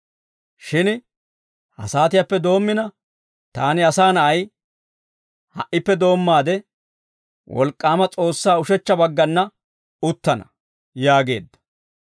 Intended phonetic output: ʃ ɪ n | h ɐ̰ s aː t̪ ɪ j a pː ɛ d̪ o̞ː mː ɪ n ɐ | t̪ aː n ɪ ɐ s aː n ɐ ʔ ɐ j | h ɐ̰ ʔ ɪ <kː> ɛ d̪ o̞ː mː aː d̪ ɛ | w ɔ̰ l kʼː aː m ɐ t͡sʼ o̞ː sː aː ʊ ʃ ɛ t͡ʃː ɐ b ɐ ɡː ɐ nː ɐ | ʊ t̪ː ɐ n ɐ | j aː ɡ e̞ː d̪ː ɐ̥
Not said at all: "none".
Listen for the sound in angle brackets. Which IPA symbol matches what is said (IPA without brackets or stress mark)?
pː